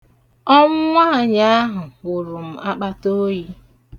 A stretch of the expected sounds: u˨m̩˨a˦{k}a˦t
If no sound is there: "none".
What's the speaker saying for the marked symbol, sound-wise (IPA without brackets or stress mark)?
k͡p